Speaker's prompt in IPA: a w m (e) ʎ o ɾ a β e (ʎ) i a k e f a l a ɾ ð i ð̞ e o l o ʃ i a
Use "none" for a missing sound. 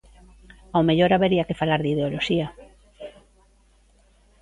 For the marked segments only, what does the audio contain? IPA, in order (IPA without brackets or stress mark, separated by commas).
e, ɾ